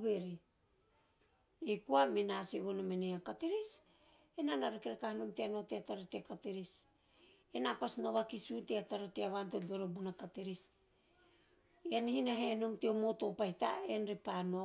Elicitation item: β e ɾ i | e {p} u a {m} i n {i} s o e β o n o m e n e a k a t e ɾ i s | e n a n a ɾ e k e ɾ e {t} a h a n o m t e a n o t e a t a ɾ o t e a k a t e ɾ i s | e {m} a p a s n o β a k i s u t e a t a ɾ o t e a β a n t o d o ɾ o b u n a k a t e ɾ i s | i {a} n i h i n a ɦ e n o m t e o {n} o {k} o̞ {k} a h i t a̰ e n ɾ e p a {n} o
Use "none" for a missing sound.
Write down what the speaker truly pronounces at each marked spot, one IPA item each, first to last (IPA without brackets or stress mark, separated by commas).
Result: k, m, a, k, n, a, m, t, p, n